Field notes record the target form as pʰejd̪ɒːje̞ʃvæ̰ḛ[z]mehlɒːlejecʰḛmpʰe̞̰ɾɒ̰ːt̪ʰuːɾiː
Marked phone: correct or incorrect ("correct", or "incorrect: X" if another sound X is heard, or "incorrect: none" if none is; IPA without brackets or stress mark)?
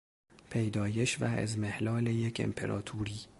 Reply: correct